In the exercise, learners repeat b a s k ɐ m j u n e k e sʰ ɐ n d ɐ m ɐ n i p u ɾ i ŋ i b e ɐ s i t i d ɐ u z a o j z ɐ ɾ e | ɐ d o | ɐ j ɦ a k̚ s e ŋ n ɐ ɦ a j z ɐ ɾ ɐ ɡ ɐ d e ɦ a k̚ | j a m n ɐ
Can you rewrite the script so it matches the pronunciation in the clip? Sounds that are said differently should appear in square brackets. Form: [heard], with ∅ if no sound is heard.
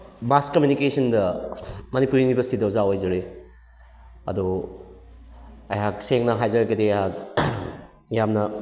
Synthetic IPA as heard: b a s k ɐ m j u n [i] k e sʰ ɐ n d ɐ m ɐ n i p u ɾ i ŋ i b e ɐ s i t i d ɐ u z a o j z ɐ ɾ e | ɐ d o | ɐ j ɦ a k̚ s e ŋ n ɐ ɦ a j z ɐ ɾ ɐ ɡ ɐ d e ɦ a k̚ | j a m n ɐ